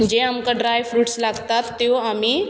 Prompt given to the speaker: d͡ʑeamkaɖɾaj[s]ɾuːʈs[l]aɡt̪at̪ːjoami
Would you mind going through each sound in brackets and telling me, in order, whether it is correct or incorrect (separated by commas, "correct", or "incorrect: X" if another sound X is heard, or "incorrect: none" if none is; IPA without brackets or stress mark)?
incorrect: f, correct